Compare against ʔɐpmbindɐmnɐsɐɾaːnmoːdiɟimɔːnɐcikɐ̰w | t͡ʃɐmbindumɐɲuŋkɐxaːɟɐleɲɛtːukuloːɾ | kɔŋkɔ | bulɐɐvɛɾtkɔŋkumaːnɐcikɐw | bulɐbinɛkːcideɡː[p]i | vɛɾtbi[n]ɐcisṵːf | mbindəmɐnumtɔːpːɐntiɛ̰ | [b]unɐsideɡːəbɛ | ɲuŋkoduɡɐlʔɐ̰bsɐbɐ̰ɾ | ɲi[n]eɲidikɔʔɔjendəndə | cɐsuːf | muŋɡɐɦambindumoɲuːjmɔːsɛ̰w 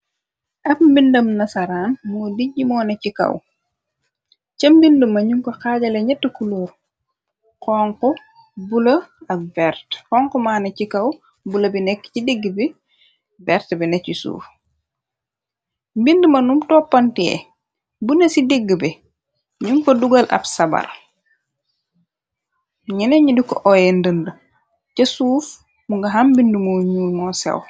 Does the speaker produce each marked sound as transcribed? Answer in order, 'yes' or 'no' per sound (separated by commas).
no, yes, yes, yes